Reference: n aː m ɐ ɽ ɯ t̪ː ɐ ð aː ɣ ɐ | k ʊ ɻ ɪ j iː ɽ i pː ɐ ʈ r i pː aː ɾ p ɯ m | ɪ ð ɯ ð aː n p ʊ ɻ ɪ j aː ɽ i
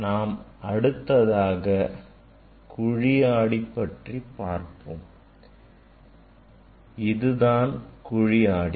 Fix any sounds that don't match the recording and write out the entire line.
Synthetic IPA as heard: n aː m ɐ ɽ ɯ t̪ː ɐ ð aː ɣ ɐ | k ʊ ɻ ɪ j aː ɽ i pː ɐ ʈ r i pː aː ɾ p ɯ m | ɪ ð ɯ ð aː n k ʊ ɻ ɪ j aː ɽ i

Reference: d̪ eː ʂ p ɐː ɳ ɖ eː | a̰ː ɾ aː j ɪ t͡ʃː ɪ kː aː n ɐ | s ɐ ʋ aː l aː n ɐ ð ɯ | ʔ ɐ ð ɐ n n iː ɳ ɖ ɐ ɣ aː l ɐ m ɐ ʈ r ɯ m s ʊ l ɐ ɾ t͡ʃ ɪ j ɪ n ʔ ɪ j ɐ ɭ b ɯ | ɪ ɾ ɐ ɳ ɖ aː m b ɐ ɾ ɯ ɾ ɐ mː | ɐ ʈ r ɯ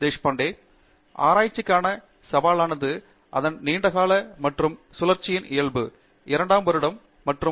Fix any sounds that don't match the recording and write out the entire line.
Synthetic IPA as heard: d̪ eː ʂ p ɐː ɳ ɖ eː | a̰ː ɾ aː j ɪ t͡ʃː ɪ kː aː n ɐ | s ɐ ʋ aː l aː n ɐ ð ɯ | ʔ ɐ ð ɐ n n iː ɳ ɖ ɐ ɣ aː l ɐ m ɐ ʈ r ɯ m s ʊ l ɐ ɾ t͡ʃ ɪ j ɪ n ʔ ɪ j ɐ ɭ b ɯ | ɪ ɾ ɐ ɳ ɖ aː m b ɐ ɾ ɯ ɽ ɐ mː | ɐ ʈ r ɯ

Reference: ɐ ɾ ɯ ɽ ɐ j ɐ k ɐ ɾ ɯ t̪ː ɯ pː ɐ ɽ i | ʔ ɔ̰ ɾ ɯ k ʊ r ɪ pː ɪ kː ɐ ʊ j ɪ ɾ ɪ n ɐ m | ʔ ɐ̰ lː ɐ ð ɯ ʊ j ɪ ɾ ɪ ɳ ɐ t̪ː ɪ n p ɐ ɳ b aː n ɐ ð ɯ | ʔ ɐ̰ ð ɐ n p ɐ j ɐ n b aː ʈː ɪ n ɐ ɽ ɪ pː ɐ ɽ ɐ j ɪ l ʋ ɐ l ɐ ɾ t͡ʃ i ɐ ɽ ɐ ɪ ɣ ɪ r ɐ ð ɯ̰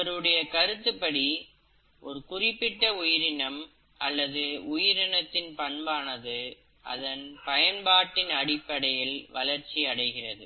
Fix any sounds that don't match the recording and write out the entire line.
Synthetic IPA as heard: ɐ ɾ ɯ ɽ ɐ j ɐ k ɐ ɾ ɯ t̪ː ɯ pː ɐ ɽ i | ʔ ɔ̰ ɾ ɯ k ʊ r ɪ pː ɪ ʈː ɐ ʊ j ɪ ɾ ɪ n ɐ m | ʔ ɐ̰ lː ɐ ð ɯ ʊ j ɪ ɾ ɪ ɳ ɐ t̪ː ɪ n p ɐ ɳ b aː n ɐ ð ɯ | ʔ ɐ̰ ð ɐ n p ɐ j ɐ n b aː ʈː ɪ n ɐ ɽ ɪ pː ɐ ɽ ɐ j ɪ l ʋ ɐ l ɐ ɾ t͡ʃ i ɐ ɽ ɐ ɪ ɣ ɪ r ɐ ð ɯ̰

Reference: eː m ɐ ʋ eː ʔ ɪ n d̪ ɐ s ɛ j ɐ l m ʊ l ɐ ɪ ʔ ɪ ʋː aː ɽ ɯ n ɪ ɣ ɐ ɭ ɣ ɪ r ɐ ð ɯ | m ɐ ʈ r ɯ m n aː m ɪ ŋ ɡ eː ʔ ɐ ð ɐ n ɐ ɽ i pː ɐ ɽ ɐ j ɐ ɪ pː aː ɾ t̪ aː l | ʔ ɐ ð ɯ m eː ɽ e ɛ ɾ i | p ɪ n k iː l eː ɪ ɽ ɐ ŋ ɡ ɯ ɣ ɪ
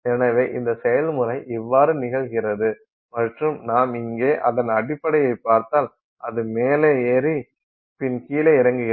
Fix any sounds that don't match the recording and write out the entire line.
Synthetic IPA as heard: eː n ɐ ʋ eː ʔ ɪ n d̪ ɐ s ɛ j ɐ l m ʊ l ɐ ɪ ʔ ɪ ʋː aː ɾ ɯ n ɪ ɣ ɐ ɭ ɣ ɪ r ɐ ð ɯ | m ɐ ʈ r ɯ m n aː m ɪ ŋ ɡ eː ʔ ɐ ð ɐ n ɐ ɽ ɪ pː ɐ ɽ ɐ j ɐ ɪ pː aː ɾ t̪ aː l | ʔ ɐ ð ɯ m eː l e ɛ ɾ i | p ɪ n k iː l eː ɪ ɾ ɐ ŋ ɡ ɯ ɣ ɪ

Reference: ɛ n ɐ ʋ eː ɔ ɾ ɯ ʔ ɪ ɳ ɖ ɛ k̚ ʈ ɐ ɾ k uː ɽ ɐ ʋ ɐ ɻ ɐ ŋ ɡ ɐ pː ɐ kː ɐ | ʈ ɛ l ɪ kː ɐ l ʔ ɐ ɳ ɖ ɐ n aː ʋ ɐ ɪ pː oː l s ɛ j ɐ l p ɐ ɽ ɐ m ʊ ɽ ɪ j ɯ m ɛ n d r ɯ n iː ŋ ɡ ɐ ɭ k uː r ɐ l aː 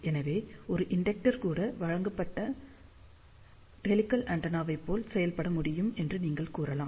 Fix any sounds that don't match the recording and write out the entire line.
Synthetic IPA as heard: ɛ n ɐ ʋ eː ɔ ɾ ɯ ʔ ɪ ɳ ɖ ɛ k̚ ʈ ɐ ɾ k uː ɽ ɐ ʋ ɐ ɻ ɐ ŋ ɡ ɐ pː ɐ ʈː ɐ | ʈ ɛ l ɪ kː ɐ l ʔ ɐ ɳ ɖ ɐ n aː ʋ ɐ ɪ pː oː l s ɛ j ɐ l p ɐ ɽ ɐ m ʊ ɽ ɪ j ɯ m ɛ n d r ɯ n iː ŋ ɡ ɐ ɭ k uː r ɐ l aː

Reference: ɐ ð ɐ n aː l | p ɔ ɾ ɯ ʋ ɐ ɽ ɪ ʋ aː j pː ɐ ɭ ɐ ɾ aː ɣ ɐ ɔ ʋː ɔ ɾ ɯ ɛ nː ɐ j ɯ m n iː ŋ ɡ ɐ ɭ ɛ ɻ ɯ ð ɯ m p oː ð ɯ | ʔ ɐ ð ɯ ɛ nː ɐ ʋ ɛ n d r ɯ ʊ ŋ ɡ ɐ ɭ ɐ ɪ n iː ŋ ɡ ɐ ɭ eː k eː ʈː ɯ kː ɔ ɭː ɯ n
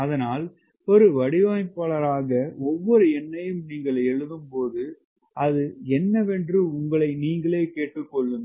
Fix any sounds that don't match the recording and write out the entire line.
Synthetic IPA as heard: ɐ ð ɐ n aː l | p ɔ ɾ ɯ ʋ ɐ ɽ ɪ ʋ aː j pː ɐ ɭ ɐ ɾ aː ɣ ɐ ɔ ʋː ɔ ɾ ɯ ɛ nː ɐ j ɯ m n iː ŋ ɡ ɐ ɭ ɛ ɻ ɯ ð ɯ m p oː ð ɯ | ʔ ɐ ð ɯ ɛ nː ɐ ʋ ɛ n d r ɯ ʊ ŋ ɡ ɐ ɭ ɐ ɪ n iː ŋ ɡ ɐ ɭ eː k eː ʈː ɯ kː ɔ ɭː ɯ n

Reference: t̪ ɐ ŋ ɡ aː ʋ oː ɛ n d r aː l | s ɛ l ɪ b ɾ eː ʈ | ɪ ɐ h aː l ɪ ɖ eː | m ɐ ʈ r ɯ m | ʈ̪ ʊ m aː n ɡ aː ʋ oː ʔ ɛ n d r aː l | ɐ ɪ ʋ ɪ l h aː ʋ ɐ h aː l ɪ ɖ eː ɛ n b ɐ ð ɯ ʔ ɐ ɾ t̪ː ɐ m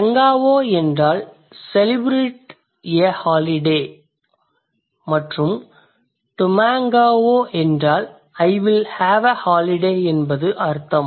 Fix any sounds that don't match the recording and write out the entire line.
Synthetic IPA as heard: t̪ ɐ ŋ ɡ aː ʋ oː ɛ n d r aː l | s ɛ l ɪ b ɾ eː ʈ | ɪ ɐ h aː l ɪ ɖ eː | m ɐ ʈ r ɯ m | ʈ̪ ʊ m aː ŋ ɡ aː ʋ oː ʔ ɛ n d r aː l | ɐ ɪ ʋ ɪ l h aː ʋ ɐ h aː l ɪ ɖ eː ɛ n b ɐ ð ɯ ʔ ɐ ɾ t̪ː ɐ m

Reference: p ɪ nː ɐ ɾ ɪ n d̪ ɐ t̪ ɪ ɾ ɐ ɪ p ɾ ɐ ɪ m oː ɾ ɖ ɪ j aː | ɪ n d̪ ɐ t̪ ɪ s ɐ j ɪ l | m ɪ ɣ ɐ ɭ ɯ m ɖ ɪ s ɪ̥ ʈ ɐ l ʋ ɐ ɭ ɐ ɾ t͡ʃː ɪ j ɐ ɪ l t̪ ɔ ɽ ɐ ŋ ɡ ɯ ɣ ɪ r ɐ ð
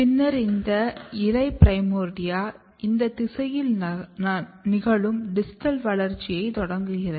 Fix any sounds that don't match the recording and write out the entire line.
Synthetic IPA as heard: p ɪ nː ɐ ɾ ɪ n d̪ ɐ ɪ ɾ ɐ ɪ p ɾ ɐ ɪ m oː ɾ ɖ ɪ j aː | ɪ n d̪ ɐ t̪ ɪ s ɐ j ɪ l | n ɪ ɣ ɐ ɭ ɯ m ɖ ɪ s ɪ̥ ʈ ɐ l ʋ ɐ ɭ ɐ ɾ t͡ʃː ɪ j ɐ ɪ t̪ ɔ ɽ ɐ ŋ ɡ ɯ ɣ ɪ r ɐ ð

